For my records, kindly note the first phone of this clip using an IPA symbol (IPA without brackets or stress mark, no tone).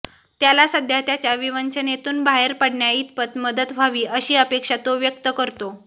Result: t̪